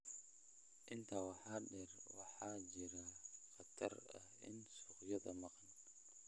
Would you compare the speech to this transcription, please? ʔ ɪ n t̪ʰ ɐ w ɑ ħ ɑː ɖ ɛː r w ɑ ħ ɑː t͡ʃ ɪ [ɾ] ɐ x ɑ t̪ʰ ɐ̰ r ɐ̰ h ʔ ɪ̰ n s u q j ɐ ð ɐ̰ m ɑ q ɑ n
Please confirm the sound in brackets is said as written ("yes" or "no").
yes